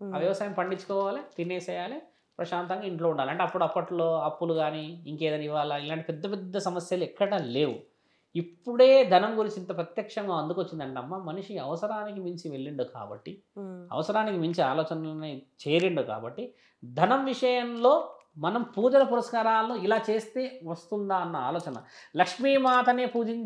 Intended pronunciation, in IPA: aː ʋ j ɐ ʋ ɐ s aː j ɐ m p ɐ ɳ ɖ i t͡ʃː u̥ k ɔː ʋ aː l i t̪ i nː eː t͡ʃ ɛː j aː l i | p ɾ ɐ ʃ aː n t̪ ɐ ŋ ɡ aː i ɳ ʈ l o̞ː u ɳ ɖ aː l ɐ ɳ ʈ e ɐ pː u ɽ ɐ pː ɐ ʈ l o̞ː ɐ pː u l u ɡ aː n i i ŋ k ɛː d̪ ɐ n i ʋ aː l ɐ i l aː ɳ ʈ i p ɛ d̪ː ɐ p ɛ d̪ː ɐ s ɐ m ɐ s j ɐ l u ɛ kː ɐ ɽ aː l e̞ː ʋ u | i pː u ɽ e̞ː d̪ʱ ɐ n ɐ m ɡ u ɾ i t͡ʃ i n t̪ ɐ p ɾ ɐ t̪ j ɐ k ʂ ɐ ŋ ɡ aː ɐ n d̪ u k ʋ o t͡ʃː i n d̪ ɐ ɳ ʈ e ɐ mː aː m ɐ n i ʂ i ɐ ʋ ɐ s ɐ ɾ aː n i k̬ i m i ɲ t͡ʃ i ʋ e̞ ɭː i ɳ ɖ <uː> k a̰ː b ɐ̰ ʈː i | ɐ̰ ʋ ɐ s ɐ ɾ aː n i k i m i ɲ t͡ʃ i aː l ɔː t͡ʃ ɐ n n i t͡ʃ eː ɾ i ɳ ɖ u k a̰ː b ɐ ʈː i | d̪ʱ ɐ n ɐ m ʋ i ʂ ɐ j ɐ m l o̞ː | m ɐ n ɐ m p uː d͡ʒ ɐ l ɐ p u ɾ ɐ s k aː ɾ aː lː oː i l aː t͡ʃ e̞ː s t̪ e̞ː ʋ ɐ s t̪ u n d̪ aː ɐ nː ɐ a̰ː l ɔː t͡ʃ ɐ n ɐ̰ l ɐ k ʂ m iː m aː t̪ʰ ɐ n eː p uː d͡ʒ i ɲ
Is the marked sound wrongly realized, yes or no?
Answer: yes